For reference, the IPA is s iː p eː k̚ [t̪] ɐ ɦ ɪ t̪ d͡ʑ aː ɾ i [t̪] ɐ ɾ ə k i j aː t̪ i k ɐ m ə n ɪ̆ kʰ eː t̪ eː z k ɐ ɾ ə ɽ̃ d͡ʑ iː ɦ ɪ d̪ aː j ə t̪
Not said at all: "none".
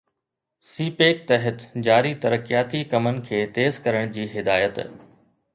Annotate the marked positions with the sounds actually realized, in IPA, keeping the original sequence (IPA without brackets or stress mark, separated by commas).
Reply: t̪, t̪